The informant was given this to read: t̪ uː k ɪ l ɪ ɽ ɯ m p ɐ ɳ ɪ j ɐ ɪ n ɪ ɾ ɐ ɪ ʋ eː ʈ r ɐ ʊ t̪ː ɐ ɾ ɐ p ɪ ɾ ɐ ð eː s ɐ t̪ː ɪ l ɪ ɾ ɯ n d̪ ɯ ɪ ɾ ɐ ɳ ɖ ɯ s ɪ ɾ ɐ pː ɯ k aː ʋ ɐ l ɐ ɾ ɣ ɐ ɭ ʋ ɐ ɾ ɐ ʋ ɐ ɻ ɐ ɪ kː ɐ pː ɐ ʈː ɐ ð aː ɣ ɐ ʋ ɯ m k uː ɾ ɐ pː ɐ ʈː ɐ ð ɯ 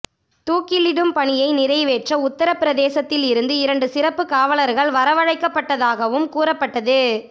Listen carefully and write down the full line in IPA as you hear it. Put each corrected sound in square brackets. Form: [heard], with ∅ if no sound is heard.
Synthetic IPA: t̪ uː k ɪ l ɪ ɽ ɯ m p ɐ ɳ ɪ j ɐ ɪ n ɪ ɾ ɐ ɪ ʋ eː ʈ r ɐ ʊ t̪ː ɐ ɾ ɐ p ɪ ɾ ɐ ð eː s ɐ t̪ː ɪ l ɪ ɾ ɯ n d̪ ɯ ɪ ɾ ɐ ɳ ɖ ɯ s ɪ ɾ ɐ pː ɯ k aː ʋ ɐ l ɐ ɾ ɣ ɐ ɭ ʋ ɐ ɾ ɐ ʋ ɐ ɻ ɐ ɪ kː ɐ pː ɐ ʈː ɐ ð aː ɣ ɐ ʋ ɯ m k uː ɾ ɐ pː ɐ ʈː ɐ ð ɯ